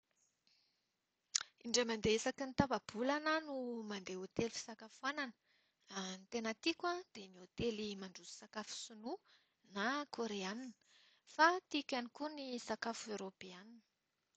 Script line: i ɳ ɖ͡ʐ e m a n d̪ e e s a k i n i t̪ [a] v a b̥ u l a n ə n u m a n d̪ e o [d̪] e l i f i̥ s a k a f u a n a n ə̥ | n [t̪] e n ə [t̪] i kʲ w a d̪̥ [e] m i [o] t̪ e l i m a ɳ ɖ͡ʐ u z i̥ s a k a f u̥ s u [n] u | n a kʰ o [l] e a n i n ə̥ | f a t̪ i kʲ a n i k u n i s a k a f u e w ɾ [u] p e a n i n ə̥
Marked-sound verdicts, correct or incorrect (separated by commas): correct, incorrect, correct, correct, correct, correct, correct, incorrect, incorrect